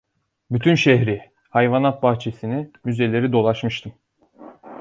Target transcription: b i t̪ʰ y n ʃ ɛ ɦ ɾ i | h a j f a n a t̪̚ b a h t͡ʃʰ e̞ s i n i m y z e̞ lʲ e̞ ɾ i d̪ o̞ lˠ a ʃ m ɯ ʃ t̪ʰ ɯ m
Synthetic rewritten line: b y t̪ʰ y n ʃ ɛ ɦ ɾ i | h a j v a n a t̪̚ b a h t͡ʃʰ e̞ s i n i m y z e̞ lʲ e̞ ɾ i d̪ o̞ lˠ a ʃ m ɯ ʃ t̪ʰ ɯ m